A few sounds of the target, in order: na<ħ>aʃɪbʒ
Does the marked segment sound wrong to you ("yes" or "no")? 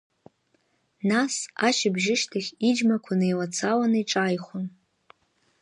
yes